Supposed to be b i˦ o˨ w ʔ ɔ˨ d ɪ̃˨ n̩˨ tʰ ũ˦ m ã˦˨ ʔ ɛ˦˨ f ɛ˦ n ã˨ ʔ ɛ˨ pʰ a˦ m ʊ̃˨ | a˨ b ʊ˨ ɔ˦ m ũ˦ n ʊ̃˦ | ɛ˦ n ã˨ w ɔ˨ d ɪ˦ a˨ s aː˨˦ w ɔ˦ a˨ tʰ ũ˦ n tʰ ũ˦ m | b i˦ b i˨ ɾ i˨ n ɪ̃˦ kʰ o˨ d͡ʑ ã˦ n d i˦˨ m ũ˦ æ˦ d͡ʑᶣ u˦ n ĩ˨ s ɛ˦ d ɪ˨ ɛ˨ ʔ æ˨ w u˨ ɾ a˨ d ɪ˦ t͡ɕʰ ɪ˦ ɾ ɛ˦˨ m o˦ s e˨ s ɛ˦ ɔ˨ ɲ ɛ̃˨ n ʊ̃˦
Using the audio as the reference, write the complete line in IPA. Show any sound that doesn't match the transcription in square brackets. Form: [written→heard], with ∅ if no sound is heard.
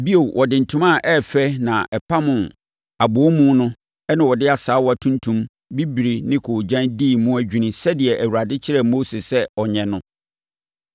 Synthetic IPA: b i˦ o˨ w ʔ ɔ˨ d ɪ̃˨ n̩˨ tʰ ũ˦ m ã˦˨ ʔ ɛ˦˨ f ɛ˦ n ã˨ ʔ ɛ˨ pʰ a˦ m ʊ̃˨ | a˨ b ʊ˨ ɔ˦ m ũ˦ n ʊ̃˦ | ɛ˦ n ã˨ w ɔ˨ d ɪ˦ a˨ s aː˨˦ w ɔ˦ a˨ tʰ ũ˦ n tʰ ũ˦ m | b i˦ b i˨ ɾ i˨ n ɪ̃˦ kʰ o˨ d͡ʑ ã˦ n d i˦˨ m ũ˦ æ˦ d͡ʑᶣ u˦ n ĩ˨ s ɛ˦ d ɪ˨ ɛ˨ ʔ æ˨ w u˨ ɾ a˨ d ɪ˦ t͡ɕʰ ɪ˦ ɾ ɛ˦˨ m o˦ s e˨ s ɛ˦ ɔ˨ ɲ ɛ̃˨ n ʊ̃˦